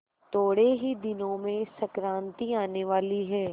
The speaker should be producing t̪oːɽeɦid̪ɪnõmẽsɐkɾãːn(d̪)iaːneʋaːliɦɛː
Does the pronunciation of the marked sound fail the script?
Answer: yes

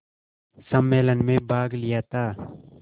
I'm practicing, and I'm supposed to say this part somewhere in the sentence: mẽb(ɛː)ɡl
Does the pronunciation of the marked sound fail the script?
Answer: yes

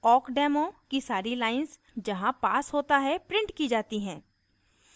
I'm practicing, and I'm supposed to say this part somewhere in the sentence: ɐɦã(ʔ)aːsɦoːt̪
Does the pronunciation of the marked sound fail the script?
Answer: yes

